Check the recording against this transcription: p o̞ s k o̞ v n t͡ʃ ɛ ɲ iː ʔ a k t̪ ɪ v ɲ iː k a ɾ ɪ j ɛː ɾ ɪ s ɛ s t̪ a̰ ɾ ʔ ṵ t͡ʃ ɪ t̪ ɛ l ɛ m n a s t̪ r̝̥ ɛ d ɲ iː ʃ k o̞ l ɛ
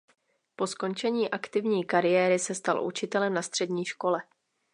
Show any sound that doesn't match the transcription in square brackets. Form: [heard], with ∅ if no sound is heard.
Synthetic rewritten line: p o̞ s k o̞ [∅] n t͡ʃ ɛ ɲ iː ʔ a k t̪ ɪ v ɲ iː k a ɾ ɪ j ɛː ɾ ɪ s ɛ s t̪ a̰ [l] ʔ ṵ t͡ʃ ɪ t̪ ɛ l ɛ m n a s t̪ r̝̥ ɛ d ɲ iː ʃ k o̞ l ɛ